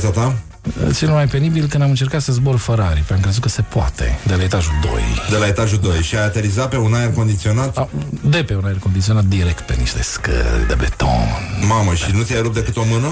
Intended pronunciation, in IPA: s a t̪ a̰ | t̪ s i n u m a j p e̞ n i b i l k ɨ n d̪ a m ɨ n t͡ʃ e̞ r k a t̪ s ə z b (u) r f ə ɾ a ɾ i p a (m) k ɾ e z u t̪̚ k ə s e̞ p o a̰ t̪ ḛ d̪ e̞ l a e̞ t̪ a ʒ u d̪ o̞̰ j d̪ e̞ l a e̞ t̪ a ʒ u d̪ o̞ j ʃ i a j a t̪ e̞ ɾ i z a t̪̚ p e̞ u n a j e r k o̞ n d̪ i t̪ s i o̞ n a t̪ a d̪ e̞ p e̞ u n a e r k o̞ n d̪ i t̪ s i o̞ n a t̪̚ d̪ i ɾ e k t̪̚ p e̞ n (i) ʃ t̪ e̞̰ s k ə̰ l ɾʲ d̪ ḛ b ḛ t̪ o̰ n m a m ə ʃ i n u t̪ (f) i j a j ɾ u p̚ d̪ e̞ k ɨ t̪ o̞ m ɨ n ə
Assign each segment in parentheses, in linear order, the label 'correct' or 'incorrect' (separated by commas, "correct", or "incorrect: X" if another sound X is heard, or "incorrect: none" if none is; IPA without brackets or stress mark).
incorrect: o, correct, correct, incorrect: s